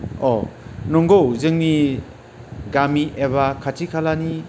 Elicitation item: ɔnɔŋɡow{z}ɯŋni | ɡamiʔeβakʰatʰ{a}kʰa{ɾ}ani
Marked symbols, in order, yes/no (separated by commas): yes, no, no